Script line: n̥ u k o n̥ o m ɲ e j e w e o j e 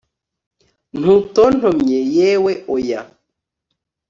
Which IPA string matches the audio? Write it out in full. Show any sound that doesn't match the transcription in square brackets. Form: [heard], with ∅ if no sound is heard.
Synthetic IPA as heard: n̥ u [t] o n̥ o m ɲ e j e w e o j [a]